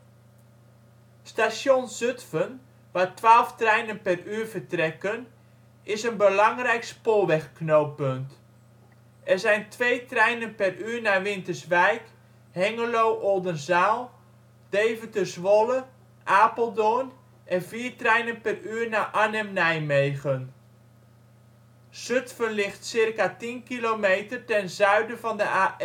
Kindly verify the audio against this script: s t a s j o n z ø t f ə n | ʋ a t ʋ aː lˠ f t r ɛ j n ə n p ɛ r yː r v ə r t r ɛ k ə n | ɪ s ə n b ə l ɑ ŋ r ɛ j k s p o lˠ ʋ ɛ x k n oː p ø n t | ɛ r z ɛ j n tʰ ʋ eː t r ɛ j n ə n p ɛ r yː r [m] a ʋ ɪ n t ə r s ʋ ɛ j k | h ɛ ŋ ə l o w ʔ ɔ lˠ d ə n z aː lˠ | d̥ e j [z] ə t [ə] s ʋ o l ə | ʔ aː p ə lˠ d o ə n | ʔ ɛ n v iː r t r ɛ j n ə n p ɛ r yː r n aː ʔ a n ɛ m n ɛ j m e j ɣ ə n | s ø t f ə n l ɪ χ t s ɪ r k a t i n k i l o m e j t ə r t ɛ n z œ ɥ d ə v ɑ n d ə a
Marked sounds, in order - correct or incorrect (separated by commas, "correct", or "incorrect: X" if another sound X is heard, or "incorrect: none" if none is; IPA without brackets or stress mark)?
incorrect: n, incorrect: v, correct